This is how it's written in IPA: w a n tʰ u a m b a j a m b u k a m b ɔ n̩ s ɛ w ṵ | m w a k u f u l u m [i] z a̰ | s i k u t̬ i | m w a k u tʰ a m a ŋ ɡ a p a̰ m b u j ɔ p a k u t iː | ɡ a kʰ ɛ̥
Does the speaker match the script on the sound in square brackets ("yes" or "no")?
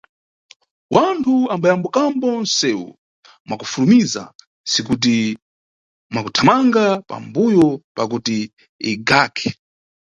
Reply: yes